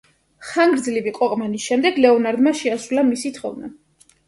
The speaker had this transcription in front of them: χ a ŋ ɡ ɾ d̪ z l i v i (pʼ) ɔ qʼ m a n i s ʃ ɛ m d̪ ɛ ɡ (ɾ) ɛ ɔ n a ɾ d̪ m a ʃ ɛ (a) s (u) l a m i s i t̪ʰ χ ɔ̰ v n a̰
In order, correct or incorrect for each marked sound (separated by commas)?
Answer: incorrect, incorrect, correct, correct